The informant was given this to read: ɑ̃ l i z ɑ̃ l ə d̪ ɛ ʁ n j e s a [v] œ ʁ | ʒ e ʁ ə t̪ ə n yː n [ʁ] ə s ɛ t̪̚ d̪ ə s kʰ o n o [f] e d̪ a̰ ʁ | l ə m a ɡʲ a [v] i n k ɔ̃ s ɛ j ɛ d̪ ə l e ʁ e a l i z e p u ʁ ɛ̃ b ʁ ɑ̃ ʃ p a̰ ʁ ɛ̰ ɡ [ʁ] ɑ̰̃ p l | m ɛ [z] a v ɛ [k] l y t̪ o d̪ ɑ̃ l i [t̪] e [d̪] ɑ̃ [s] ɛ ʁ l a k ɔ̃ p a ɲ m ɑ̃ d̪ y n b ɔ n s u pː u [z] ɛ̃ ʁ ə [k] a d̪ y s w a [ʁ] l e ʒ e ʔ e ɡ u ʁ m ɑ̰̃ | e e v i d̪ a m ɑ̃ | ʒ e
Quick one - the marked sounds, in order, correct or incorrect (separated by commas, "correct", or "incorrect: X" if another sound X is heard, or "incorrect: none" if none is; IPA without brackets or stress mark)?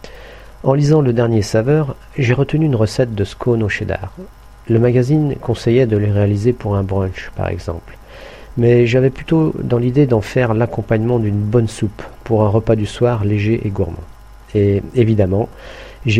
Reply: correct, correct, incorrect: ʃ, incorrect: z, incorrect: z, incorrect: ʒ, incorrect: p, incorrect: d̪, correct, incorrect: f, incorrect: ʁ, incorrect: p, correct